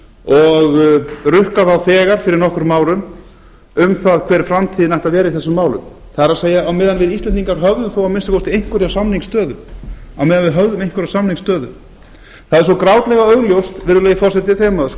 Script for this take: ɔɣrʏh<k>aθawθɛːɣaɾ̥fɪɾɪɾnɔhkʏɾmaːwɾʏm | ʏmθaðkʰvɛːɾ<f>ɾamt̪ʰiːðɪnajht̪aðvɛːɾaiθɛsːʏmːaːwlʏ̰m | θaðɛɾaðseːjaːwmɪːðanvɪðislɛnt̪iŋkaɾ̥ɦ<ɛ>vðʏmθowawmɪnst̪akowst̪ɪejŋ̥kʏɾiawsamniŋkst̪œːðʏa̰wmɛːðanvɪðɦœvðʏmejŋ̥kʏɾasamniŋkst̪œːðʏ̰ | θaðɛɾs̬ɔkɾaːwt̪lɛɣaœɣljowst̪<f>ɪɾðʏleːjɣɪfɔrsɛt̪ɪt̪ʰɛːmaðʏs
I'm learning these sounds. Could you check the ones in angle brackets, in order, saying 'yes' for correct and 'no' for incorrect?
yes, yes, no, no

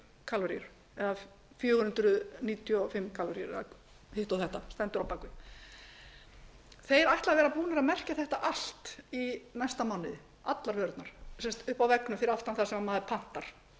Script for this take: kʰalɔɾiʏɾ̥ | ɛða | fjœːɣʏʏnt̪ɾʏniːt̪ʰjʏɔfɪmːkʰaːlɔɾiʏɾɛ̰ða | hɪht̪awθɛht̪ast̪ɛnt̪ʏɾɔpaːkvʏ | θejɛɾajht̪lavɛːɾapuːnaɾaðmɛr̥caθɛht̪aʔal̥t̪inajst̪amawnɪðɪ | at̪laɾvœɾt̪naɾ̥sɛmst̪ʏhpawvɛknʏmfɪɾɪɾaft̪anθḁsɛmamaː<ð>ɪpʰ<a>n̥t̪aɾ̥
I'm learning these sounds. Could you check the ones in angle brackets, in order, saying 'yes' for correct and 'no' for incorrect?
yes, yes

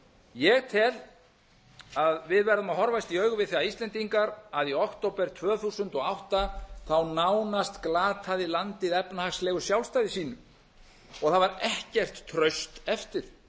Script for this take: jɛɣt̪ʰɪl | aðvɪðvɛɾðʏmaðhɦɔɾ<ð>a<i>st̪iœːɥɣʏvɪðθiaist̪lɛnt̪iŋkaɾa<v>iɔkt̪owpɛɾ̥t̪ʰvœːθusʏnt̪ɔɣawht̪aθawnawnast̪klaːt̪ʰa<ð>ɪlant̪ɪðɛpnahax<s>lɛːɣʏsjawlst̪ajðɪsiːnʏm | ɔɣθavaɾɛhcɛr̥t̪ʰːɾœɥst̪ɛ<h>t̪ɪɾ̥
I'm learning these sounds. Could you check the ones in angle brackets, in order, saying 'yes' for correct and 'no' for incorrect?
no, no, no, yes, yes, no

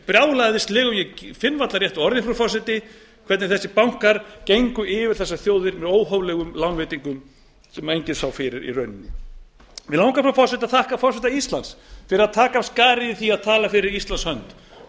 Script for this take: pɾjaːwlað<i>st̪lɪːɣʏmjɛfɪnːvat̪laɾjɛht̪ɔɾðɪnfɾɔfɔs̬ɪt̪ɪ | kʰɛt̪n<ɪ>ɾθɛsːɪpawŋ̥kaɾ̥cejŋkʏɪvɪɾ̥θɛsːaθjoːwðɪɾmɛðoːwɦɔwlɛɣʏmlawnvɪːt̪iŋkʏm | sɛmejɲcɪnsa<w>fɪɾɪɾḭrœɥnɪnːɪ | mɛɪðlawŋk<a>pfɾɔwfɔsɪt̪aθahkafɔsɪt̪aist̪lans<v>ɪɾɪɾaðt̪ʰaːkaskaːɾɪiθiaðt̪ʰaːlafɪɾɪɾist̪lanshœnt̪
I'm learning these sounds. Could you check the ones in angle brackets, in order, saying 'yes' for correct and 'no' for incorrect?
no, yes, yes, yes, no

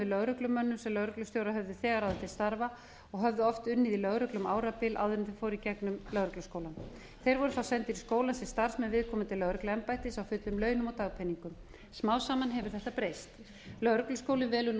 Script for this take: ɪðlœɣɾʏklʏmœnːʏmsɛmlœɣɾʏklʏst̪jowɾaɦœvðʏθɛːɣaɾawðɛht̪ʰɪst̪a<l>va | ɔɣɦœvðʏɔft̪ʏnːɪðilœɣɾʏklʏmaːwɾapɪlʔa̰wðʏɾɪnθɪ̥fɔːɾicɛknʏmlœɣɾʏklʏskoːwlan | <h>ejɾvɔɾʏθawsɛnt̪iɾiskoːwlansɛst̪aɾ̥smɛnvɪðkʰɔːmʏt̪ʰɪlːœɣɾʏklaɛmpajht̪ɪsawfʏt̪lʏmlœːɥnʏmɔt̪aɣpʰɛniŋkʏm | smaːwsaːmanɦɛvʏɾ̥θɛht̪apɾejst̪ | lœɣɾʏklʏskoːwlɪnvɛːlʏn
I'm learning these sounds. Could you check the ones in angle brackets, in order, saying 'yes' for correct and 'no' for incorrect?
no, no

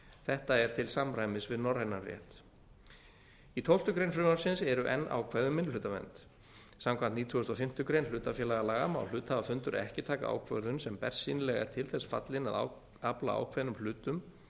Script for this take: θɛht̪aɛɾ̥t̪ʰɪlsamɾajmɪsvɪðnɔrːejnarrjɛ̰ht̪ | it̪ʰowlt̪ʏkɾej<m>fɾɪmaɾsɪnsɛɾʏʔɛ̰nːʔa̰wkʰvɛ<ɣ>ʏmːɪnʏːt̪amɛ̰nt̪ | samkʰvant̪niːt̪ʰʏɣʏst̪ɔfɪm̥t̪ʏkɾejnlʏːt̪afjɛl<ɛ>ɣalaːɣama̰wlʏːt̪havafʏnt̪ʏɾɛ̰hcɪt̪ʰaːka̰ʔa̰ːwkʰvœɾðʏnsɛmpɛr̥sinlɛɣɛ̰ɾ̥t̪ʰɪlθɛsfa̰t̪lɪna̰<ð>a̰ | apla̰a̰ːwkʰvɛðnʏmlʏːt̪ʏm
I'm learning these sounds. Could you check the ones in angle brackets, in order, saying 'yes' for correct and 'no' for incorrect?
no, no, no, yes

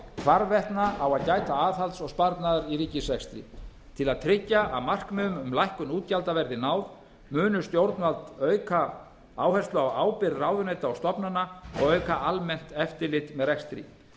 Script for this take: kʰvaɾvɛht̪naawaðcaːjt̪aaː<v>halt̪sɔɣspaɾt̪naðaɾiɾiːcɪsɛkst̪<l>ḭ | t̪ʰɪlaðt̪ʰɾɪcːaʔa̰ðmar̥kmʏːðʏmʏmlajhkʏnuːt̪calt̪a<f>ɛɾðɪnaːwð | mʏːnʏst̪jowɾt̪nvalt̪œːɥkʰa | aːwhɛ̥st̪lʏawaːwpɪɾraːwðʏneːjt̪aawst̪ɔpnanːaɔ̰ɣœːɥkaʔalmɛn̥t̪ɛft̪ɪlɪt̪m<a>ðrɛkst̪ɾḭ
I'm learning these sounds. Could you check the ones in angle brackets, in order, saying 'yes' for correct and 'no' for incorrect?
no, no, no, no

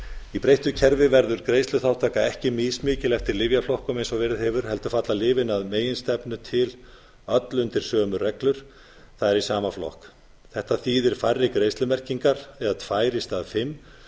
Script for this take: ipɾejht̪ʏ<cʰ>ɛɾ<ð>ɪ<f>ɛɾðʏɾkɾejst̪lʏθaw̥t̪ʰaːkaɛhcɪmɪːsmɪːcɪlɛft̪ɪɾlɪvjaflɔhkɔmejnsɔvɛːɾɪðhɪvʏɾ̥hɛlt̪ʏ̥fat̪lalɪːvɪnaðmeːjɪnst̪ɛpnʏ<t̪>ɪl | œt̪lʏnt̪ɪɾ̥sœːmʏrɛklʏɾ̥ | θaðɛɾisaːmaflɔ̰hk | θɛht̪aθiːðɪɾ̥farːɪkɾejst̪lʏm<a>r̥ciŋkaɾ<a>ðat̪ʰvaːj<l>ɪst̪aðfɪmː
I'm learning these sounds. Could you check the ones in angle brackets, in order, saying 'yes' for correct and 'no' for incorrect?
yes, no, no, no, no, no, no

